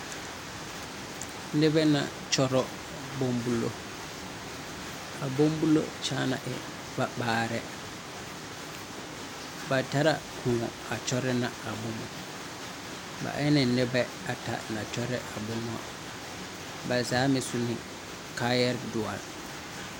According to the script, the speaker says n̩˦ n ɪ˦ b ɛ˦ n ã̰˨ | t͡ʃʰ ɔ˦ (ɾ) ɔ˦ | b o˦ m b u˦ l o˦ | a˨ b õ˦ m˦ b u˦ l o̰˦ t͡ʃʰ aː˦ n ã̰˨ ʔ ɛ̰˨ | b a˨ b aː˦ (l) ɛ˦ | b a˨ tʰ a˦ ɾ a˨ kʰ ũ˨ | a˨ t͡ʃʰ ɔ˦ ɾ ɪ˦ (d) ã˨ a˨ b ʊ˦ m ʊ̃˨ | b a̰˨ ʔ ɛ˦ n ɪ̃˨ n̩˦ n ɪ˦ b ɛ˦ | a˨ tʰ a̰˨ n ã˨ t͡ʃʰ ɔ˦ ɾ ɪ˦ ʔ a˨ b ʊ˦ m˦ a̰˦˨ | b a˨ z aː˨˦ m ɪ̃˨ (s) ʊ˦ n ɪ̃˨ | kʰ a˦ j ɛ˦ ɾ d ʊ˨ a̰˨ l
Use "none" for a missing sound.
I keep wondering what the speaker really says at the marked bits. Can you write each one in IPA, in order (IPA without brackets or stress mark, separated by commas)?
ɾ, ɾ, n, s